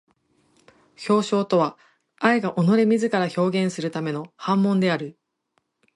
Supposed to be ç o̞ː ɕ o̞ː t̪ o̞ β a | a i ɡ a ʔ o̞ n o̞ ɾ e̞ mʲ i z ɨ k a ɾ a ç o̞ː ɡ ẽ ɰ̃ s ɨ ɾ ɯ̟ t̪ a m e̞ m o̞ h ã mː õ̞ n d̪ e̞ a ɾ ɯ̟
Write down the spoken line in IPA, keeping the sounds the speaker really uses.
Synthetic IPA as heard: ç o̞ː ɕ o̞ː t̪ o̞ β a | a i ɡ a ʔ o̞ n o̞ ɾ e̞ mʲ i z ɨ k a ɾ a ç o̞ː ɡ ẽ ɰ̃ s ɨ ɾ ɯ̟ t̪ a m e̞ n o̞ h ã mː õ̞ n d̪ e̞ a ɾ ɯ̟